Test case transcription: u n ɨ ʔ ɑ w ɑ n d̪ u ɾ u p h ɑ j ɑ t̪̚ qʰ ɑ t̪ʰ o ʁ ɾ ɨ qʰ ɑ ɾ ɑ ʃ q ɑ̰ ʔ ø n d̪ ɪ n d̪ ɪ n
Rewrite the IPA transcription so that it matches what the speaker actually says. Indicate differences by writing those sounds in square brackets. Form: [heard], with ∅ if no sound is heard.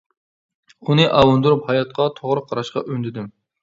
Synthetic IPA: u n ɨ ʔ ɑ w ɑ n d̪ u ɾ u p h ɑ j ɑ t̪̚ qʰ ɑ t̪ʰ o ʁ ɾ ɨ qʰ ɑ ɾ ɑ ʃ q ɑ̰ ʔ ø n d̪ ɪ [∅] d̪ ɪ [m]